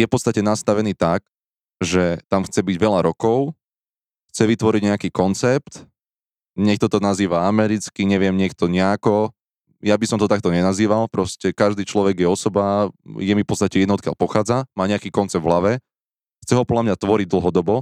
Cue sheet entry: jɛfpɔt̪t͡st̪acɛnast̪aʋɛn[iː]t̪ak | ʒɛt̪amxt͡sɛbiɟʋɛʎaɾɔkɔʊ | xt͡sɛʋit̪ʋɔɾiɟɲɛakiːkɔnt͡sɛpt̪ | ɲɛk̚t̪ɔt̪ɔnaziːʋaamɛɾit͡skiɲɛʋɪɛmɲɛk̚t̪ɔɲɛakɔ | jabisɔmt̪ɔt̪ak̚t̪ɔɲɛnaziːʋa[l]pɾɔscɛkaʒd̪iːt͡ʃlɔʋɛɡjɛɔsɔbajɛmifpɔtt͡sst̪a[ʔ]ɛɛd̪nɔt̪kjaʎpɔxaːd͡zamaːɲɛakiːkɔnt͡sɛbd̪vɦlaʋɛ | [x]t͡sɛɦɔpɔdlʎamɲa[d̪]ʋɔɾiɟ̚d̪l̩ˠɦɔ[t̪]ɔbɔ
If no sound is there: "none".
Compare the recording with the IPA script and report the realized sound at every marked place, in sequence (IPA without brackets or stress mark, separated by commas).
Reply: iː, l, c, x, t̪, d̪